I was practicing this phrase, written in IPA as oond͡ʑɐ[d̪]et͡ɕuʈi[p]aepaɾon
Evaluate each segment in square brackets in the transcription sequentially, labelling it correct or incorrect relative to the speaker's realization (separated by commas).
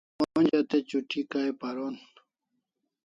incorrect, incorrect